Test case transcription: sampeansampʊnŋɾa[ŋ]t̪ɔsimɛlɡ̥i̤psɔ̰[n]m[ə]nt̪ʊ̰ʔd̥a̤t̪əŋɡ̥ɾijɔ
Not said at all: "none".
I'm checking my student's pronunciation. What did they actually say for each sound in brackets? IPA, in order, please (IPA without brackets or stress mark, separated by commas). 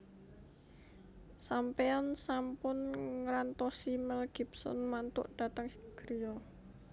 n, n, a